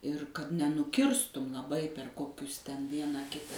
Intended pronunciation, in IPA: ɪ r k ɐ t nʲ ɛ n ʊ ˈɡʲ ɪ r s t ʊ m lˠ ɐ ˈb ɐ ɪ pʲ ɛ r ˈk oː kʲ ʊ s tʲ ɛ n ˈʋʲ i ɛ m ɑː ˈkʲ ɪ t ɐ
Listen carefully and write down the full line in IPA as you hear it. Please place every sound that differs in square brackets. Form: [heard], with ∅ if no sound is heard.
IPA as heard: ɪ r k ɐ t nʲ ɛ n ʊ [ˈkʲ] ɪ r s t ʊ m lˠ ɐ ˈb ɐ ɪ pʲ ɛ r ˈk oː kʲ ʊ s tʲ ɛ n ˈʋʲ i ɛ [n] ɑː ˈkʲ ɪ t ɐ